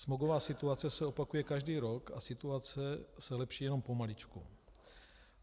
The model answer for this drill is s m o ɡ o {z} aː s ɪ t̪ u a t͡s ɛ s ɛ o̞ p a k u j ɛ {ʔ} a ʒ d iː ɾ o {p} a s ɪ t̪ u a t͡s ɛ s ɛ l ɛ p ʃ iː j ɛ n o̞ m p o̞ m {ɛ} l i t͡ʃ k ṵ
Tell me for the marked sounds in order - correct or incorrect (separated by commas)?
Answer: incorrect, incorrect, incorrect, incorrect